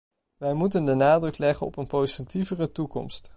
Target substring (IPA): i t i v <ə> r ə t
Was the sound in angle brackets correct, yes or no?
yes